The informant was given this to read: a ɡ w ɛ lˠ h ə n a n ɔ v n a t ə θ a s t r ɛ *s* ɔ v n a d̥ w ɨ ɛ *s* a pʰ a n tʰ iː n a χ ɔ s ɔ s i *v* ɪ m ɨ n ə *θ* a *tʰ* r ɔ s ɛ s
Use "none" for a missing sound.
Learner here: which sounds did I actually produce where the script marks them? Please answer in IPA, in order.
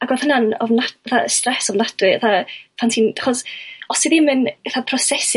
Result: s, θ, ð, θ, pʰ

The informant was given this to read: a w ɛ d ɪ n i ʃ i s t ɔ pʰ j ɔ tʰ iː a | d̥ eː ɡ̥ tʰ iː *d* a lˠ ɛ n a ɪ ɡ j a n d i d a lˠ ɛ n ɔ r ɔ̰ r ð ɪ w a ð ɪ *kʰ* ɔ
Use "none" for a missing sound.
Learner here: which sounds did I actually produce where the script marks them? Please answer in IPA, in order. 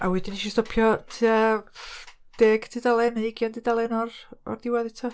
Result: d, tʰ

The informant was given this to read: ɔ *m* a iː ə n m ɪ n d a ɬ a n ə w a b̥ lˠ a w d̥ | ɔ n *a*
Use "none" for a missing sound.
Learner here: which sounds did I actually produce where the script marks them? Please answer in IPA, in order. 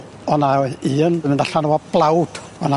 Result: n, a

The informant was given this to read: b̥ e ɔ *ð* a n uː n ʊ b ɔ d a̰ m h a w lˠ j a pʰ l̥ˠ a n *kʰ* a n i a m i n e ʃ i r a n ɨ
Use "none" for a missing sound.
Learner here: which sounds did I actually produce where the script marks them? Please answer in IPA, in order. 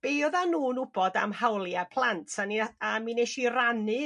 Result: ð, tʰ

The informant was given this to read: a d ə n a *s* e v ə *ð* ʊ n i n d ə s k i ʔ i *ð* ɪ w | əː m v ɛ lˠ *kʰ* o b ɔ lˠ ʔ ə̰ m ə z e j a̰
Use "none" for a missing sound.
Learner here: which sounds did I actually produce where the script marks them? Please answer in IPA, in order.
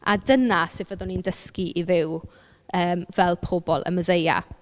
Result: s, ð, v, pʰ

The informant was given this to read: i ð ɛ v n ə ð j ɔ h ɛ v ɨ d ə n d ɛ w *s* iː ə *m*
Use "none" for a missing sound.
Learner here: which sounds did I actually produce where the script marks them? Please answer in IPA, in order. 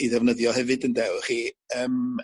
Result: χ, m

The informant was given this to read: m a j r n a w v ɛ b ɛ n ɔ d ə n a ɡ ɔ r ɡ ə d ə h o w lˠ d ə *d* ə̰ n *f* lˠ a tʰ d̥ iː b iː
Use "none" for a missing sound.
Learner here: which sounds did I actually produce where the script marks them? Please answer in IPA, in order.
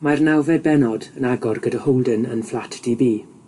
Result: n, f

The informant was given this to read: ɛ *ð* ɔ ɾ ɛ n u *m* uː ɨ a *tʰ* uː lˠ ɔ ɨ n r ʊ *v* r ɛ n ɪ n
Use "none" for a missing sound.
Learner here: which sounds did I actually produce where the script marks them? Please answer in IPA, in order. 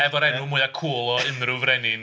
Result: v, m, kʰ, v

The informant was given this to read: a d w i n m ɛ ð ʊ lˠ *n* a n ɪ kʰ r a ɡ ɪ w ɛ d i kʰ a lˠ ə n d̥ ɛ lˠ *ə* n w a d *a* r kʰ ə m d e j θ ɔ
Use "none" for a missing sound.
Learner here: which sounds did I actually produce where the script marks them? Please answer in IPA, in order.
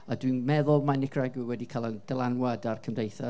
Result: m, a, a

